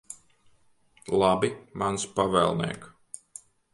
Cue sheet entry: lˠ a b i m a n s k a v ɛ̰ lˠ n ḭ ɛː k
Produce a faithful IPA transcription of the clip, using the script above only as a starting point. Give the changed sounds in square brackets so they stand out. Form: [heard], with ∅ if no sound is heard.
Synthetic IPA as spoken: lˠ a b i m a n s [p] a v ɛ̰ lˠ n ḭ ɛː k